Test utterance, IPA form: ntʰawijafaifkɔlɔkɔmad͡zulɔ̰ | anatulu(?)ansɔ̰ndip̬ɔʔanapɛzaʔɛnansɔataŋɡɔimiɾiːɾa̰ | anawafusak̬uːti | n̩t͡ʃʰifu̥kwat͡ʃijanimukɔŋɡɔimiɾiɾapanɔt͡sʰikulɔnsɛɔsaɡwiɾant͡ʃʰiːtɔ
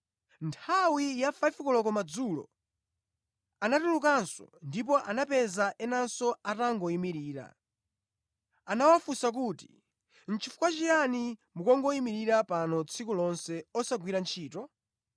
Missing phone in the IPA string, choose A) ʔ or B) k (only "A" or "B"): B